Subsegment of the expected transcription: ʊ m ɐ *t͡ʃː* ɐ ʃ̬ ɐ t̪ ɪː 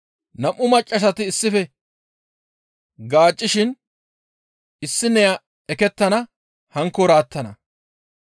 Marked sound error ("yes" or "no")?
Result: yes